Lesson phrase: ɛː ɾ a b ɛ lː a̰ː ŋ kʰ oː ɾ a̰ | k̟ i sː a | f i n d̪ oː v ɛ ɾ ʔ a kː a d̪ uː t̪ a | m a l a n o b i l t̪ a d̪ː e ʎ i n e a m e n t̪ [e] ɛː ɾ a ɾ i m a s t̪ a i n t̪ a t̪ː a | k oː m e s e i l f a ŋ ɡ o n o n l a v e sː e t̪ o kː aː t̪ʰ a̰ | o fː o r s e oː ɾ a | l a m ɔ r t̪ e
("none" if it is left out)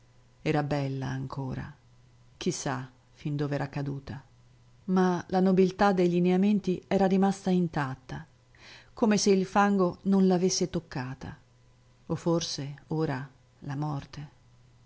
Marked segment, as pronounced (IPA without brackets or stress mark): i